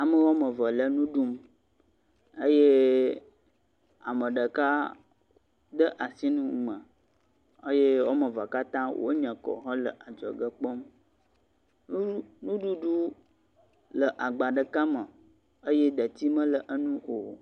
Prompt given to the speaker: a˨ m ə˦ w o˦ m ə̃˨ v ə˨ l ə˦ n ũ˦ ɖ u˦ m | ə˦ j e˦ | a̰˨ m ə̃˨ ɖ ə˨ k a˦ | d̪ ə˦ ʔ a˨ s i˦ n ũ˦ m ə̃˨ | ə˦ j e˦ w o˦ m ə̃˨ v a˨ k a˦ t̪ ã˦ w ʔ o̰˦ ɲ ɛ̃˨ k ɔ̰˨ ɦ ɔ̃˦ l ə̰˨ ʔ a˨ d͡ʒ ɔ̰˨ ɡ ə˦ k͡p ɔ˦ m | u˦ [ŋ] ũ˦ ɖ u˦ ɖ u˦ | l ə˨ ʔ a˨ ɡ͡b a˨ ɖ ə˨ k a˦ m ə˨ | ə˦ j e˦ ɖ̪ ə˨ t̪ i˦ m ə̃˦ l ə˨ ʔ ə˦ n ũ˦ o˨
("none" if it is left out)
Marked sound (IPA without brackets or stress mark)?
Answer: n